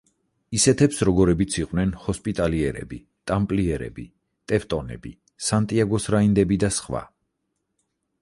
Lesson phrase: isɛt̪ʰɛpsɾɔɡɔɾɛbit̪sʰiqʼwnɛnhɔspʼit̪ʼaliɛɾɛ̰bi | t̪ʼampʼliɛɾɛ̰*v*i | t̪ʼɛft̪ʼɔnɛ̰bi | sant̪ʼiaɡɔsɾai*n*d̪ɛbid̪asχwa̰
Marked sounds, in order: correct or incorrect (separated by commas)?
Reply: incorrect, correct